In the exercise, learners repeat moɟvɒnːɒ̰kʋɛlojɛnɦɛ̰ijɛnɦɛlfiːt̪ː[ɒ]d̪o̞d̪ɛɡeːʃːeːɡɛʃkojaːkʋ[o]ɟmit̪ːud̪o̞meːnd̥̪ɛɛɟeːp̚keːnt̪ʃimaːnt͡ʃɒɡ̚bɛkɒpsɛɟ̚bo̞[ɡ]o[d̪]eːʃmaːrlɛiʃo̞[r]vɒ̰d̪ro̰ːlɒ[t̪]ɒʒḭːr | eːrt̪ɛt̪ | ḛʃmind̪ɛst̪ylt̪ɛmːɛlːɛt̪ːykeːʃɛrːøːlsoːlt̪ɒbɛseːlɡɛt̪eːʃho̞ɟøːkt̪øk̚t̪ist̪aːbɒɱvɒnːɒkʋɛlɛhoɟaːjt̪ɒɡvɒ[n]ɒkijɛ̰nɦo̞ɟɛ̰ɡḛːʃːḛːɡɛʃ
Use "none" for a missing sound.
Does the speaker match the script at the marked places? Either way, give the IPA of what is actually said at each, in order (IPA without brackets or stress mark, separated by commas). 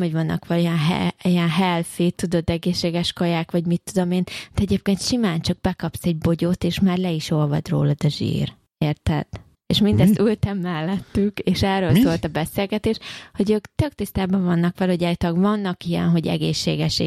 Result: u, ɒ, ɟ, t̪, l, d̪, nː